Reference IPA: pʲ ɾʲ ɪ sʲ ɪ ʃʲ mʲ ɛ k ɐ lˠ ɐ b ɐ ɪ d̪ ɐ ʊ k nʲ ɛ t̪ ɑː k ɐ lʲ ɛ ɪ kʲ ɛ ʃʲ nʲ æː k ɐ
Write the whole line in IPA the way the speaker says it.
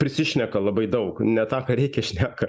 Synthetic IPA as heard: pʲ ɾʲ ɪ sʲ ɪ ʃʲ nʲ ɛ k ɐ lˠ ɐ b ɐ ɪ d̪ ɐ ʊ k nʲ ɛ t̪ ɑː k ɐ ɾʲ ɛ ɪ kʲ ɛ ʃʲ nʲ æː k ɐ